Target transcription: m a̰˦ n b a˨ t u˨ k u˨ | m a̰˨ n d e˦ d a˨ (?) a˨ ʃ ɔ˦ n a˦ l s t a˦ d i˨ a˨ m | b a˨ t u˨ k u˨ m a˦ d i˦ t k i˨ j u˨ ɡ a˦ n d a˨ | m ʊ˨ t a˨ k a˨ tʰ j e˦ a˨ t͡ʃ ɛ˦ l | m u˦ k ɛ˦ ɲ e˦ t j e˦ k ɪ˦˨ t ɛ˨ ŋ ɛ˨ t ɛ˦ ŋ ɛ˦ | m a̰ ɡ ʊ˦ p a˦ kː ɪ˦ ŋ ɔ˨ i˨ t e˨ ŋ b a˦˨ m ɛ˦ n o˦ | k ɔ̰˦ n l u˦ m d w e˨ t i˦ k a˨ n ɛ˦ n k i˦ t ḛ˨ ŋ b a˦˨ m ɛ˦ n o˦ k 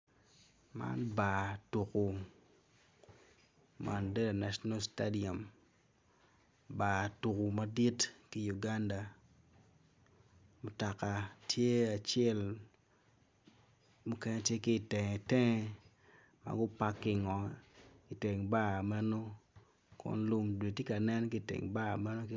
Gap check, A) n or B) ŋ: A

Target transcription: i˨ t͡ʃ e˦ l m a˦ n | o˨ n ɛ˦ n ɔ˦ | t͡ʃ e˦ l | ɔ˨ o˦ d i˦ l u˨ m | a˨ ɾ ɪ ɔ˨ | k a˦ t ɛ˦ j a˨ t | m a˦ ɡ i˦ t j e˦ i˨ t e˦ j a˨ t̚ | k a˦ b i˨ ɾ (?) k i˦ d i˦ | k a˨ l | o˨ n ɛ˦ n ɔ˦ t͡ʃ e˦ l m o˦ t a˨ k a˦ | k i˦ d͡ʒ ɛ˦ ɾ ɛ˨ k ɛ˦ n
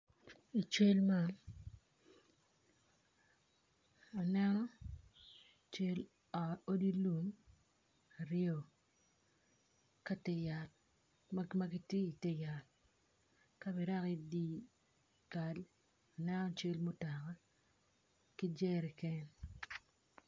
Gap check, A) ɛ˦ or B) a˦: B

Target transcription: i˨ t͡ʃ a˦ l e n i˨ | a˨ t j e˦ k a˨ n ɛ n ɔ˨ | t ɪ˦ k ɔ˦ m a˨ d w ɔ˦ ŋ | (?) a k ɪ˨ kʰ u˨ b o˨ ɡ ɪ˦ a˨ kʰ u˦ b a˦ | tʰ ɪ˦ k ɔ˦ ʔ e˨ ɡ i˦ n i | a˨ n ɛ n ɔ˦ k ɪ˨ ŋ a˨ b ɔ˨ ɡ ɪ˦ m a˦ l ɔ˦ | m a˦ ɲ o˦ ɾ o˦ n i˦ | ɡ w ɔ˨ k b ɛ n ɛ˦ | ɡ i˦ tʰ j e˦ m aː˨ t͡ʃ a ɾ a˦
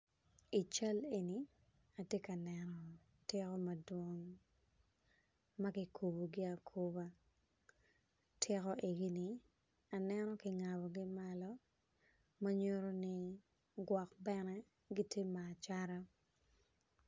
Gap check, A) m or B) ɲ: A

